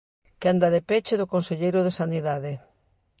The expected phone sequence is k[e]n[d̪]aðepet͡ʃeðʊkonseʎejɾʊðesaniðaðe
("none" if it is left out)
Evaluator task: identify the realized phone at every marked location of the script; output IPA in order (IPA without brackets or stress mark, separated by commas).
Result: a, d̪